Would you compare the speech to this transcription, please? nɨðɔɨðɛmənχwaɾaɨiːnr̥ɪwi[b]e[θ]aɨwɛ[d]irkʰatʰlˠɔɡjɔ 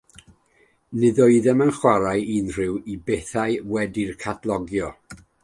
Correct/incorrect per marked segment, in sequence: correct, correct, correct

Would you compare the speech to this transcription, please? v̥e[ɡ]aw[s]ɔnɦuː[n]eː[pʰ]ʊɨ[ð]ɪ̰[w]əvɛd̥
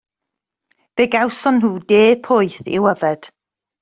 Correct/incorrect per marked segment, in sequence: correct, correct, incorrect: d, correct, incorrect: θ, correct

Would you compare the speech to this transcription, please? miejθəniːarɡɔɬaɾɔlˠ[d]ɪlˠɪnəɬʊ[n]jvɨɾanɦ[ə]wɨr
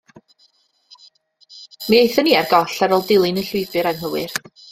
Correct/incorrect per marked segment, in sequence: correct, incorrect: none, correct

